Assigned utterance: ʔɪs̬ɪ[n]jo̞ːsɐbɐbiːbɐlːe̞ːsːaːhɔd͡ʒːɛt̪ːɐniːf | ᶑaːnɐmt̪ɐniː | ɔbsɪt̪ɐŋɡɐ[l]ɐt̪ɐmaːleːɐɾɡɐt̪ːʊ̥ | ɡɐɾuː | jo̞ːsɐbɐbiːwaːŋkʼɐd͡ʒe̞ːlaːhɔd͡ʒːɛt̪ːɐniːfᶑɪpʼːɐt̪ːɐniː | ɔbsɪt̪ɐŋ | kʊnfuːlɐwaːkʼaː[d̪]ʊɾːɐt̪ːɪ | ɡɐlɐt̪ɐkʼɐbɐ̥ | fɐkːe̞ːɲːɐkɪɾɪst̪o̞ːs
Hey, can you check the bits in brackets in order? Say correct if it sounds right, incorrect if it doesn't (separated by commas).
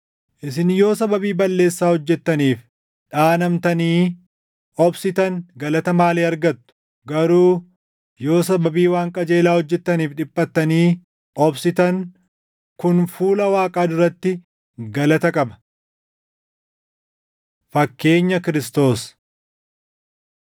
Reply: correct, correct, correct